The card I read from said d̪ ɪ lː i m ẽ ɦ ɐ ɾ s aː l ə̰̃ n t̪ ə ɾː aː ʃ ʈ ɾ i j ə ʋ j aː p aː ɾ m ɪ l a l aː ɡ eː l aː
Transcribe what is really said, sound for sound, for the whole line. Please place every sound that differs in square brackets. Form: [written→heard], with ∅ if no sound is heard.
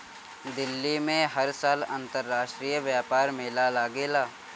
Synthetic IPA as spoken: d̪ ɪ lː i m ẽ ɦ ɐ ɾ s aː l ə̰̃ n t̪ ə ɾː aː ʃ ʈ ɾ i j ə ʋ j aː p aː ɾ m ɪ l a l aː ɡ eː l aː